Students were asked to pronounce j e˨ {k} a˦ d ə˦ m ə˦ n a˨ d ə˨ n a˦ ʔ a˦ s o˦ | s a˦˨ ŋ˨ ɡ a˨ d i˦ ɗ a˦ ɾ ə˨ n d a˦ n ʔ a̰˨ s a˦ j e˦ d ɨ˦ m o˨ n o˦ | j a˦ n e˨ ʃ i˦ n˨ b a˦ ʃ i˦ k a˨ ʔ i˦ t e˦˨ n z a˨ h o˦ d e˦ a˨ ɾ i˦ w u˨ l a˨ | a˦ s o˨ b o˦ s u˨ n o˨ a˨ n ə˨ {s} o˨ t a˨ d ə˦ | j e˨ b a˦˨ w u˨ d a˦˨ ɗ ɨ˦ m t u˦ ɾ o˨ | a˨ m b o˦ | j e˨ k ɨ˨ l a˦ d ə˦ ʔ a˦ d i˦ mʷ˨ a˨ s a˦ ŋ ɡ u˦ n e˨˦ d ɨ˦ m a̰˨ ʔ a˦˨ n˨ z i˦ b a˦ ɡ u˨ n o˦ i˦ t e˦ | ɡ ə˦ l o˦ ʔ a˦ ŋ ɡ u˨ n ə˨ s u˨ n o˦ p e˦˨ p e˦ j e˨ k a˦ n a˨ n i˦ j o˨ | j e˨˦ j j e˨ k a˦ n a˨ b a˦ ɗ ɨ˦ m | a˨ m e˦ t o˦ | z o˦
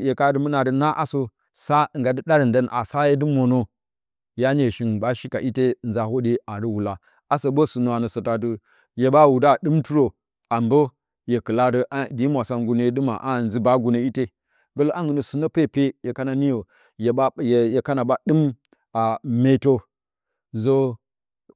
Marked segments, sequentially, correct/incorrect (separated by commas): correct, correct